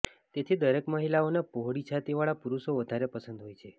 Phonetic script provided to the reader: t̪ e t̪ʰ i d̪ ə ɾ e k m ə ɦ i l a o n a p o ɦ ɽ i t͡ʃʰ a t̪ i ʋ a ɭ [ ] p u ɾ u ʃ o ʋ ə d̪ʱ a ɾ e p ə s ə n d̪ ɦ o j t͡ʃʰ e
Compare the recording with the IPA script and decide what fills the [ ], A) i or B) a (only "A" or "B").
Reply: B